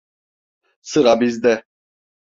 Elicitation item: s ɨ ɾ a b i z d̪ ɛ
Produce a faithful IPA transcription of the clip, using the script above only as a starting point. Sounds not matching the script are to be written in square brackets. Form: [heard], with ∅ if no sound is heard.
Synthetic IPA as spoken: s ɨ ɾ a b i z d̪ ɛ